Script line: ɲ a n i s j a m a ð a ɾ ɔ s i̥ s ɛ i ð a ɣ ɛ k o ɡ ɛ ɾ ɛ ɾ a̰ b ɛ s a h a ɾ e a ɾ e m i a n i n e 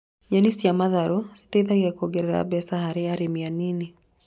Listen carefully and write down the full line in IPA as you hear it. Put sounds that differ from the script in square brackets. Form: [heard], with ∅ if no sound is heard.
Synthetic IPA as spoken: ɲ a n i s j a m a ð a ɾ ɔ s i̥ [t] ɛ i ð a ɣ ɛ k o ɡ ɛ ɾ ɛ ɾ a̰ b ɛ s a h a ɾ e a ɾ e m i a n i n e